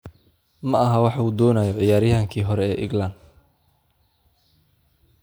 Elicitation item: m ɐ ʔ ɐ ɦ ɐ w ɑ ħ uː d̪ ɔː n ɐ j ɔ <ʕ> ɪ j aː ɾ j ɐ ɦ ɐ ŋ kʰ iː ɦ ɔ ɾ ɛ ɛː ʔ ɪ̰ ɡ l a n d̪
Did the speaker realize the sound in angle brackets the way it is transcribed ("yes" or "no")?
yes